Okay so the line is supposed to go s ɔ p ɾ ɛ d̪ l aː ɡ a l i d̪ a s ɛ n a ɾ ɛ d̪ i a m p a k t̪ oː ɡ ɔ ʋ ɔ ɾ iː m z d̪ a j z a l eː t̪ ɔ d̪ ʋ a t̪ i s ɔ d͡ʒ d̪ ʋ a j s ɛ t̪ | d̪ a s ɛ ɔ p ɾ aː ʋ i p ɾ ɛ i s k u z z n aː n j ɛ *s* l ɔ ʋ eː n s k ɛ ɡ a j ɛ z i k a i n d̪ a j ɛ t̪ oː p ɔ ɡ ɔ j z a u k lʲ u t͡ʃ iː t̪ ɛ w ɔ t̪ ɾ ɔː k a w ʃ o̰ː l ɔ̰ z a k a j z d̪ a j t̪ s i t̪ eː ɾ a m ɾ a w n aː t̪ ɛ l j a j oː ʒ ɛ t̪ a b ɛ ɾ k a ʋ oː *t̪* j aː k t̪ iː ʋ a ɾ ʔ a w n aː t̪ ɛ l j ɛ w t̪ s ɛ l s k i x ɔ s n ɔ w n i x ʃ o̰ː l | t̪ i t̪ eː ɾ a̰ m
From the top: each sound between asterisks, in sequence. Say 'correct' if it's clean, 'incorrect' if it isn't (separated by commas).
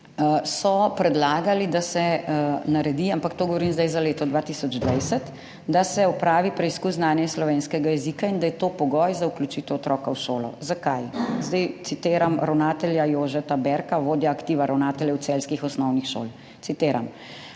correct, incorrect